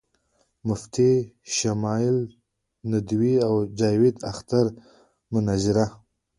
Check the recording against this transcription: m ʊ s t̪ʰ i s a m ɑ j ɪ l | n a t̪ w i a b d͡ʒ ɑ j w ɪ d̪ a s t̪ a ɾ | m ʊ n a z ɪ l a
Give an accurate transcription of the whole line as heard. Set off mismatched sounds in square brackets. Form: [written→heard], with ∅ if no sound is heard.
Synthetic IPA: m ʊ [s→f] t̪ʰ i [s→ʃ] a m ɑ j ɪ l | n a [t̪→d̪] w i a [b→w] d͡ʒ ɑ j w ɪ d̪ a [s→x] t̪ a ɾ | m ʊ n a z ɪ [l→ɾ] a